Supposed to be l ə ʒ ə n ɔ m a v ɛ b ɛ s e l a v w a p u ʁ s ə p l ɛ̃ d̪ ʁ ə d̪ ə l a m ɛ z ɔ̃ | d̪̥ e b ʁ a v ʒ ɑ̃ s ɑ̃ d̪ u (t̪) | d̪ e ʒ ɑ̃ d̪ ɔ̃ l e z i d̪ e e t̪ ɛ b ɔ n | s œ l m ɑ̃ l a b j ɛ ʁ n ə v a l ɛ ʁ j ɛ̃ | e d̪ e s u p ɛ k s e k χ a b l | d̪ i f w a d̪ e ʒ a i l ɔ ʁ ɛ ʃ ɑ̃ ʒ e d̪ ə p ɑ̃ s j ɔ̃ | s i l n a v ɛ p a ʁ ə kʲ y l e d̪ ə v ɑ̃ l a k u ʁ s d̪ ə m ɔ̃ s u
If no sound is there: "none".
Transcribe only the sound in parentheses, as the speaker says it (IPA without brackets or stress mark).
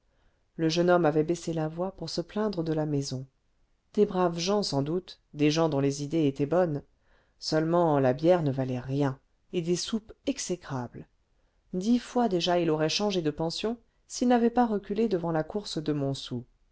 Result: t̪